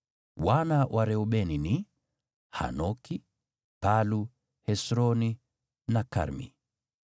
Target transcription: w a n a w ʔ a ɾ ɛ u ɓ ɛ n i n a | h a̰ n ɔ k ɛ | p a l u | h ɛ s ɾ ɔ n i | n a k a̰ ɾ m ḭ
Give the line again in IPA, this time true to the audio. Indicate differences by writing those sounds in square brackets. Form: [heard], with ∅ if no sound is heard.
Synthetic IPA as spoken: w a n a w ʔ a ɾ ɛ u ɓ ɛ n i n [i] | h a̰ n ɔ k [i] | p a l u | h ɛ s ɾ ɔ n i | n a k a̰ ɾ m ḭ